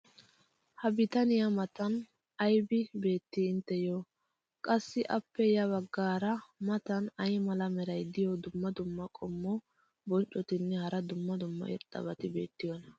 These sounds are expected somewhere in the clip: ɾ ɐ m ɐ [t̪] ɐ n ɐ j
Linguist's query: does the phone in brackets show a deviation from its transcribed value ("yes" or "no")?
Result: no